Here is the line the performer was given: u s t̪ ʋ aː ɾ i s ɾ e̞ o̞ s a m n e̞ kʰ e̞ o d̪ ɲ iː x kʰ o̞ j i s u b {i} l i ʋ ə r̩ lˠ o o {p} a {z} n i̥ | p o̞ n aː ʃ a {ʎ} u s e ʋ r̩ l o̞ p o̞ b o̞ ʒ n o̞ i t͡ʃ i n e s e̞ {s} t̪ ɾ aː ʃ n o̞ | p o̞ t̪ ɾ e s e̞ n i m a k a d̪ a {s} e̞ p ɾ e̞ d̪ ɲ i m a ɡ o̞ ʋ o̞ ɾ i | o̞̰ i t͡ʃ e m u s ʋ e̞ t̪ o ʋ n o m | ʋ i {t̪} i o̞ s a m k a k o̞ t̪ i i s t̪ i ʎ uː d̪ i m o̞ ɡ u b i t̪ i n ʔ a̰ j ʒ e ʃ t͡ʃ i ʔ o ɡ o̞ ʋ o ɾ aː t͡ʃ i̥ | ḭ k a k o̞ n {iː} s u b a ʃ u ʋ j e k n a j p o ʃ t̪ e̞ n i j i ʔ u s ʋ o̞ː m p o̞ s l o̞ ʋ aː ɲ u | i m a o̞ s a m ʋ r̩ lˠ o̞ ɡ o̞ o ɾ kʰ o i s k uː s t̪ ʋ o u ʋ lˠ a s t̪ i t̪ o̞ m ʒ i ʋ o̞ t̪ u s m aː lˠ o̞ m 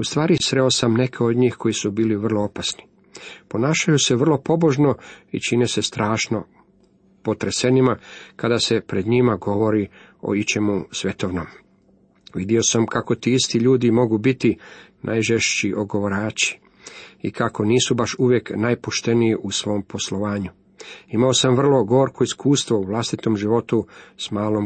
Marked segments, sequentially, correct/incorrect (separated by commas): incorrect, correct, incorrect, incorrect, correct, correct, incorrect, correct